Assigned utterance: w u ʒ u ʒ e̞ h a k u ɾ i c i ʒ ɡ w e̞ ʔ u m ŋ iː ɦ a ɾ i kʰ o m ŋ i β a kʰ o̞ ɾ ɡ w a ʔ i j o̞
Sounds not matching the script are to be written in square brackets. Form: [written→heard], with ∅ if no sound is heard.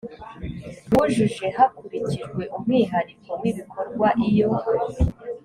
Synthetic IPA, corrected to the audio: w u ʒ u ʒ e̞ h a k u ɾ i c i ʒ ɡ w e̞ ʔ u m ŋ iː ɦ a ɾ i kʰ o m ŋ i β [a→i] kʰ o̞ ɾ ɡ w a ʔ i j o̞